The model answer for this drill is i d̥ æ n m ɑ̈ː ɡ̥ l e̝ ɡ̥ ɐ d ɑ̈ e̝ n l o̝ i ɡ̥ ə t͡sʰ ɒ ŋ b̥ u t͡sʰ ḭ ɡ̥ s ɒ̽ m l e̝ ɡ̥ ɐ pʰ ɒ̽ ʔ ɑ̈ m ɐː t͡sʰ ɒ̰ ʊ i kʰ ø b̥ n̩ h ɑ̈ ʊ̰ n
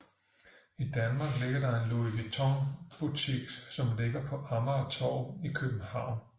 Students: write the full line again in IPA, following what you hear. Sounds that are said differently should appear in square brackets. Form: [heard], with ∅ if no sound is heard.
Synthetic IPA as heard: i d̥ æ n m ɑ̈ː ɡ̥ l e̝ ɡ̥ ɐ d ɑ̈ e̝ n l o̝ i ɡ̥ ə t͡sʰ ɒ ŋ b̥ u t͡sʰ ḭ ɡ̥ s ɒ̽ m l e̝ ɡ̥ ɐ pʰ ɒ̽ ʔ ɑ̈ m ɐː t͡sʰ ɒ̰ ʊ i kʰ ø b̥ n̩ h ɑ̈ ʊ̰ n

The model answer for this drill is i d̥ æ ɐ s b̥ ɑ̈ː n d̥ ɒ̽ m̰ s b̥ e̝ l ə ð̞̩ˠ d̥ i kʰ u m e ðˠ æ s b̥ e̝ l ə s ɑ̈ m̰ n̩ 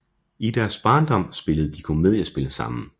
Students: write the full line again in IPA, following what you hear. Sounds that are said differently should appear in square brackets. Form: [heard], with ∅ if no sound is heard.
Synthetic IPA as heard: i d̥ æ ɐ s b̥ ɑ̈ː n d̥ ɒ̽ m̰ s b̥ e̝ l ə ð̞̩ˠ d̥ i kʰ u m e ðˠ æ s b̥ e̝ l ə s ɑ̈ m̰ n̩

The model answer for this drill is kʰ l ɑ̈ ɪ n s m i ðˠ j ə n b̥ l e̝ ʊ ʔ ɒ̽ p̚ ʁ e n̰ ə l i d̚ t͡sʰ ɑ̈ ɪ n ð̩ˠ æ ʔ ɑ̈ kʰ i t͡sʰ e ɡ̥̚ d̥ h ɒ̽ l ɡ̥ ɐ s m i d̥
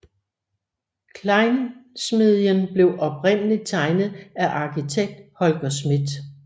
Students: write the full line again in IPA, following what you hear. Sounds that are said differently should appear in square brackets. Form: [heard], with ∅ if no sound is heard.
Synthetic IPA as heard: kʰ l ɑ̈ ɪ n s m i ðˠ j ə n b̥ l e̝ ʊ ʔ ɒ̽ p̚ ʁ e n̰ ə l i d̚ t͡sʰ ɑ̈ ɪ n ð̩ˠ æ ʔ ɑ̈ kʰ i t͡sʰ e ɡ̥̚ d̥ h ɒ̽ l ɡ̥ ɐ s m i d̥

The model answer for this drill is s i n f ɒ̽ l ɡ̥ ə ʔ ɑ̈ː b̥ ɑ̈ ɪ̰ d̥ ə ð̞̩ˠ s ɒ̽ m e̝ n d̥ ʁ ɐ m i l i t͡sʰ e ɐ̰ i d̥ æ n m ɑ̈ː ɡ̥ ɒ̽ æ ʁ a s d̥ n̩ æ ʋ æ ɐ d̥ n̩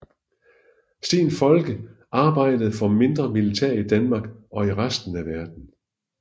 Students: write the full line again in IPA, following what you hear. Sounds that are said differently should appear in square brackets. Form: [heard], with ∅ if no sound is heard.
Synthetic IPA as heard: s i n f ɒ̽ l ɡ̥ ə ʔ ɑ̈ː b̥ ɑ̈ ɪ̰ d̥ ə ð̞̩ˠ [f] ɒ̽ m e̝ n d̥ ʁ ɐ m i l i t͡sʰ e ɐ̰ i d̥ æ n m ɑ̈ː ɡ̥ ɒ̽ [i] ʁ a s d̥ n̩ æ ʋ æ ɐ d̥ n̩

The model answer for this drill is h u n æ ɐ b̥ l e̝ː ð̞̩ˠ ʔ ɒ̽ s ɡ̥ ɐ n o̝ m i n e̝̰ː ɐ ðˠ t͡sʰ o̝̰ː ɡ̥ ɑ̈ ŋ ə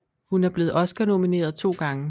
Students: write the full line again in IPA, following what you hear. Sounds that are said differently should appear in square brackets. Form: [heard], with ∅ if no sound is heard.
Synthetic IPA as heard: h u n æ ɐ b̥ l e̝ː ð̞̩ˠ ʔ ɒ̽ s ɡ̥ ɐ n o̝ m i n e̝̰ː ɐ ðˠ t͡sʰ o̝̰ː ɡ̥ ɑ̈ ŋ ə

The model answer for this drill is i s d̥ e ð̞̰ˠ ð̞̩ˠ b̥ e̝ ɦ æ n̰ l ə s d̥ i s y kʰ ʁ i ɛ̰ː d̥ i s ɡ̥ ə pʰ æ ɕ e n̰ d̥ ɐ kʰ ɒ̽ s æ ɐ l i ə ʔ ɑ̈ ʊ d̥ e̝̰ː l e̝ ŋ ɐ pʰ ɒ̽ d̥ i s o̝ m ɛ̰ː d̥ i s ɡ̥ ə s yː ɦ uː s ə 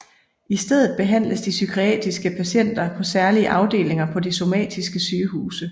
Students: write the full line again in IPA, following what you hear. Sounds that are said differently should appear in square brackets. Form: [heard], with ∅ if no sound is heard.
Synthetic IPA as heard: i s d̥ e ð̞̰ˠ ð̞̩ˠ b̥ e̝ ɦ æ n̰ l ə s d̥ i s y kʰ ʁ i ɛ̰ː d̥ i s ɡ̥ ə pʰ æ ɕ e n̰ d̥ ɐ [pʰ] ɒ̽ s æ ɐ l i ə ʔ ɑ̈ ʊ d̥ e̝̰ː l e̝ ŋ ɐ pʰ ɒ̽ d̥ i s o̝ m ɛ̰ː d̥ i s ɡ̥ ə s yː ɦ uː s ə

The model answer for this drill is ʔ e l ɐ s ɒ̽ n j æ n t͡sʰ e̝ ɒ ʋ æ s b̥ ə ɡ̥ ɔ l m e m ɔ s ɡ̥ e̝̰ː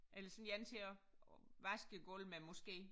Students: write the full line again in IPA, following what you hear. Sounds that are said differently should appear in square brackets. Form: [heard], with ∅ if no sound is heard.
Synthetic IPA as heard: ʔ e l ɐ s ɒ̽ n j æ n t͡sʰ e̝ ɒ ʋ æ s [ɡ̥] ə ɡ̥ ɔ l m e m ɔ s ɡ̥ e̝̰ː

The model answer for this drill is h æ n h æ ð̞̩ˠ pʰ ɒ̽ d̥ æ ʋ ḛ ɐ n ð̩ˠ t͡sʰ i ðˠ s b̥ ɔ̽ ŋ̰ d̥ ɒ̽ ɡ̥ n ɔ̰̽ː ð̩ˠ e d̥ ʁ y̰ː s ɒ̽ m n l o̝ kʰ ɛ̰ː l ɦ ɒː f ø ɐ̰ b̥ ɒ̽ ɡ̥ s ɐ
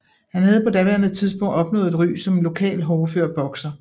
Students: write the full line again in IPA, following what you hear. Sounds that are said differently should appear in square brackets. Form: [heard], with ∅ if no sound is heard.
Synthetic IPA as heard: h æ n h æ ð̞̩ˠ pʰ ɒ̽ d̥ æ ʋ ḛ ɐ n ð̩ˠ t͡sʰ i ðˠ s b̥ ɔ̽ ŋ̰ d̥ ɒ̽ [b̥] n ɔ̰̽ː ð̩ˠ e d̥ ʁ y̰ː s ɒ̽ m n l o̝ kʰ ɛ̰ː l ɦ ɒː f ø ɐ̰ b̥ ɒ̽ ɡ̥ s ɐ

